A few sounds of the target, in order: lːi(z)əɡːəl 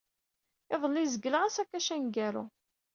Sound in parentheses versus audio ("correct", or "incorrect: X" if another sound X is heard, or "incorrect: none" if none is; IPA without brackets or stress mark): correct